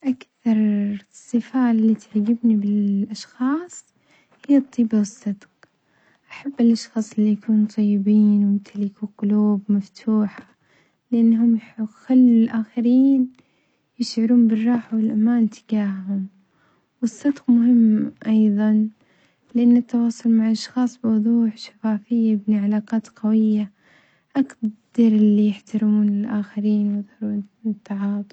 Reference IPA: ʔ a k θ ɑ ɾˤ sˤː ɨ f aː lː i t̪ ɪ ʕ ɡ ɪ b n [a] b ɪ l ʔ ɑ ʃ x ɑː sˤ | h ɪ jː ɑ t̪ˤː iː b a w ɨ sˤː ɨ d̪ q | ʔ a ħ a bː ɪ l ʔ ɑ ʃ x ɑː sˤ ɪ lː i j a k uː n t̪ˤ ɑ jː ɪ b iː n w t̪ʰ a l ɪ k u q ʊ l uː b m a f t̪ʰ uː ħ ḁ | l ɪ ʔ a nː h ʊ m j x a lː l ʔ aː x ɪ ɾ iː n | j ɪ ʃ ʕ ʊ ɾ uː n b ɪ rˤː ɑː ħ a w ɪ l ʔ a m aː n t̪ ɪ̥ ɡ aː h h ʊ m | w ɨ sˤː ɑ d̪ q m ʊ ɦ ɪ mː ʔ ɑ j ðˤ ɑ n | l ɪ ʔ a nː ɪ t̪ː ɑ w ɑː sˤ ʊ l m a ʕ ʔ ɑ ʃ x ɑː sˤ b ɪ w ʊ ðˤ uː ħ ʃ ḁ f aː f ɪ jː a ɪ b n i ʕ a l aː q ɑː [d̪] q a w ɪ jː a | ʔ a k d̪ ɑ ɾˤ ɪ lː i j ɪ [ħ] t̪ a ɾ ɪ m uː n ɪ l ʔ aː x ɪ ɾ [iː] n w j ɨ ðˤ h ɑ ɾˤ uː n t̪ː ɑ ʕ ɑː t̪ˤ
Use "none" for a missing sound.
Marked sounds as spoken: i, t̪, ħ, iː

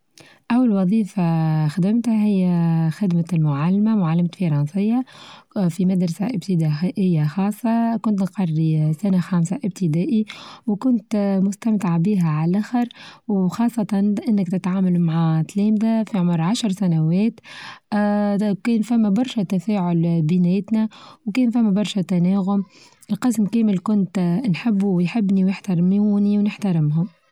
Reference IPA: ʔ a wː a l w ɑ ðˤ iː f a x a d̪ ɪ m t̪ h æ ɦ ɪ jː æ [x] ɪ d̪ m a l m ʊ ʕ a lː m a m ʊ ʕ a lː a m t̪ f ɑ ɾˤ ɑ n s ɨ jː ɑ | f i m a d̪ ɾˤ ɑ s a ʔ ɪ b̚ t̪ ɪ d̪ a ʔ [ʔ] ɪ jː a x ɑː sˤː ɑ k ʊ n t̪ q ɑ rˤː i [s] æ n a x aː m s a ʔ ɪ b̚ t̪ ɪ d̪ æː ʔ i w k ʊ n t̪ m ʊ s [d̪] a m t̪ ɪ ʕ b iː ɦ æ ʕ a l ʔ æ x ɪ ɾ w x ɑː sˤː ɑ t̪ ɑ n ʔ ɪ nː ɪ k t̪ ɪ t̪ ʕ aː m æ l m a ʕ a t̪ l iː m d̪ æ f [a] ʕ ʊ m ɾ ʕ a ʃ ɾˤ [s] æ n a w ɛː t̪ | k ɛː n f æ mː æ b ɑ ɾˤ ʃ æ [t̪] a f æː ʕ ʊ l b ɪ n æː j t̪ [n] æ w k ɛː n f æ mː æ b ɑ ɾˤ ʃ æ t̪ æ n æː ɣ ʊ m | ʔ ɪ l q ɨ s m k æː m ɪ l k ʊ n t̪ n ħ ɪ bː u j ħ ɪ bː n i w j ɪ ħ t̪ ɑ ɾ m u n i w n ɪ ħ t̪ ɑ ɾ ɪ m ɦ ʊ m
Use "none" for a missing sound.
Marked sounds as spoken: x, ʔ, s, t̪, i, s, t̪, n

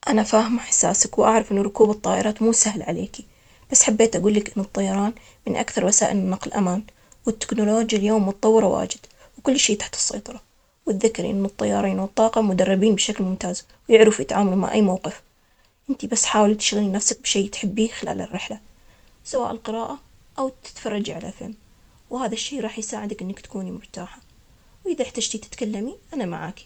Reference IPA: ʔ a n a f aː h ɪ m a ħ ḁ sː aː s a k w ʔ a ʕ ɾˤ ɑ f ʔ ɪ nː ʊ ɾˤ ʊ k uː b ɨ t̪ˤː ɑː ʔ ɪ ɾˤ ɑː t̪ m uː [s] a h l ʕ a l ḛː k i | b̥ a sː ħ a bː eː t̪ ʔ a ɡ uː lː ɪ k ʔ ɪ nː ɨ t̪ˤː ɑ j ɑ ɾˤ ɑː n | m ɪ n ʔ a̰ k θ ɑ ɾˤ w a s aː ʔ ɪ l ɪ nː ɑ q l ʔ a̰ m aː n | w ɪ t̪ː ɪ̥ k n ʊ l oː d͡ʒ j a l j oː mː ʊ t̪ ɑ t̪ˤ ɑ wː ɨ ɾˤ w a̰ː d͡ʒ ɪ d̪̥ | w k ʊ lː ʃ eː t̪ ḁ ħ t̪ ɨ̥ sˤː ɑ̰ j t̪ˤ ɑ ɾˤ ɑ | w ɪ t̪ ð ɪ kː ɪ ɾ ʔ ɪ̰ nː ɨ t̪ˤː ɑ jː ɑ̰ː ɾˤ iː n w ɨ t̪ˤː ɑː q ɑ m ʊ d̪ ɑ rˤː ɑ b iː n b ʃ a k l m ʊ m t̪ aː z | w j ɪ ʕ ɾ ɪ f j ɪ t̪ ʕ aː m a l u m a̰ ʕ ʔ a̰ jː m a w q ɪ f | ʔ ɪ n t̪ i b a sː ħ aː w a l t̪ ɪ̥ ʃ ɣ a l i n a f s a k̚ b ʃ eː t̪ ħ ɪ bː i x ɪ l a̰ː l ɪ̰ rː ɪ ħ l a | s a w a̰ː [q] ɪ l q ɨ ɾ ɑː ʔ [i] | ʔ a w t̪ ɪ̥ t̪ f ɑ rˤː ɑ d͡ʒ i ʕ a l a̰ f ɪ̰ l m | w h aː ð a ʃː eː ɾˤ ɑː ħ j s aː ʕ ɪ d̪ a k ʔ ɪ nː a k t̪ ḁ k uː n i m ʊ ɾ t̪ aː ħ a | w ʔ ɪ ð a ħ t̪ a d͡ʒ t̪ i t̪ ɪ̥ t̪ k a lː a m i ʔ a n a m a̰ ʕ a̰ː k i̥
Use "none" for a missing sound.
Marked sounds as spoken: s, ʔ, a

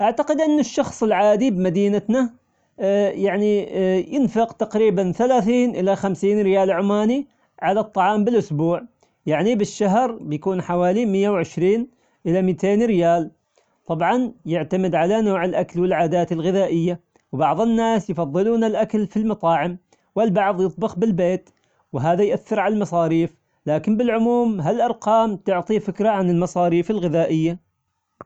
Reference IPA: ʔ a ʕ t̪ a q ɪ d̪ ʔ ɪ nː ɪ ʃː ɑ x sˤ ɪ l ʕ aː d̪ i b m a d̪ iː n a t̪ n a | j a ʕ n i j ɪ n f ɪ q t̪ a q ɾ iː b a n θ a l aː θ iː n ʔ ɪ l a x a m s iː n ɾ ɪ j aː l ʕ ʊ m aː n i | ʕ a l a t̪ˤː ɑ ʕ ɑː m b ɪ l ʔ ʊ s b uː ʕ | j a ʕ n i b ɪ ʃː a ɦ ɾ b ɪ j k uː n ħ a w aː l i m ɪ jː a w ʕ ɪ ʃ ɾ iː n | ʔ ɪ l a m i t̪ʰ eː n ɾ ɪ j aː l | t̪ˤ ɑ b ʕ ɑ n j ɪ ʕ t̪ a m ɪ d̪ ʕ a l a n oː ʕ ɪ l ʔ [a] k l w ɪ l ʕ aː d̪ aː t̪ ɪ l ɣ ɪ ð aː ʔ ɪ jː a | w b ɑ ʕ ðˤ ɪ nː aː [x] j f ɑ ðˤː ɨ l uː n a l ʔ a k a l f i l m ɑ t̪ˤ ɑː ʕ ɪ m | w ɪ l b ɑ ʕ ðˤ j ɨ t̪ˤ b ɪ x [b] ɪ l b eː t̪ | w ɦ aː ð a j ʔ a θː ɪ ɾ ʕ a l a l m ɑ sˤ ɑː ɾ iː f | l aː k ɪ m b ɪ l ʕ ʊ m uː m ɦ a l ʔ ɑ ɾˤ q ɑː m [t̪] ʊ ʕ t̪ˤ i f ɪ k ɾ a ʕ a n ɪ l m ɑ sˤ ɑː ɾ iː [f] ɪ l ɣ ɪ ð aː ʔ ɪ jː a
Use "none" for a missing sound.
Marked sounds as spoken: a, s, b, t̪, f

